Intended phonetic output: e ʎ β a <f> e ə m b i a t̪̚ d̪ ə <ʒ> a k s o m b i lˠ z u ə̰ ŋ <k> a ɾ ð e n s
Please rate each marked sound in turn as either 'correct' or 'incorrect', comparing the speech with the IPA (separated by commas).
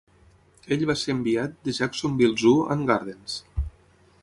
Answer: incorrect, correct, incorrect